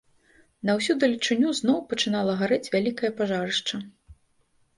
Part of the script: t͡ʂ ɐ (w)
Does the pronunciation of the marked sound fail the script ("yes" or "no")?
yes